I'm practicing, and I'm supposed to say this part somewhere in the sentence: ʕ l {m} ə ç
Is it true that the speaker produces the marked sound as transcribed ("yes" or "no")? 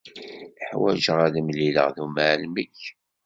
yes